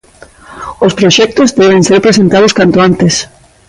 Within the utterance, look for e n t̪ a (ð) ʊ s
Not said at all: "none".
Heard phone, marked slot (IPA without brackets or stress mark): ð